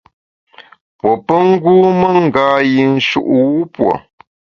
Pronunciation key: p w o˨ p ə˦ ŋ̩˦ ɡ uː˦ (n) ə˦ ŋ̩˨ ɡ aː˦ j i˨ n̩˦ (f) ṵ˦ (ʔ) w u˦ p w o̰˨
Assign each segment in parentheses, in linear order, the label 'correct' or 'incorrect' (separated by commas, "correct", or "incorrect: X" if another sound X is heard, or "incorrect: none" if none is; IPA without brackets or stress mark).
incorrect: m, incorrect: ʃ, correct